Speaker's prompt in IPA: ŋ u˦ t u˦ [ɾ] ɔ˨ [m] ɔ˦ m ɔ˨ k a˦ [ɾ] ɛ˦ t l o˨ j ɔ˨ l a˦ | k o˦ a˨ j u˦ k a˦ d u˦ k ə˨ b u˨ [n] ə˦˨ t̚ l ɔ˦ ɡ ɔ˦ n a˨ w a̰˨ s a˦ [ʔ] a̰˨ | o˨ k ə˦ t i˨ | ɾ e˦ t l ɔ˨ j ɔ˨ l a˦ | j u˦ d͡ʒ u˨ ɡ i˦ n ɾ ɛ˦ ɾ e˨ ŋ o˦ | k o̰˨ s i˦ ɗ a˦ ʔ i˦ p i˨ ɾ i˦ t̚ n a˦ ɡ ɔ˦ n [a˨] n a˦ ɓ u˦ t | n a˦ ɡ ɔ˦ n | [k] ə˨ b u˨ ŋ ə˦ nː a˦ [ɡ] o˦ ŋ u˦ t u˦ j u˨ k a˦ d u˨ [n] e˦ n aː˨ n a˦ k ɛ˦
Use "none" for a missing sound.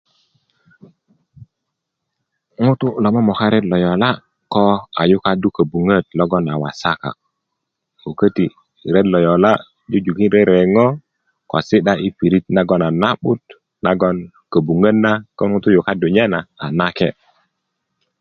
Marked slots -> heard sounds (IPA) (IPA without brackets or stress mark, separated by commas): l, m, ɾ, ŋ, k, a˨, k, k, ɲ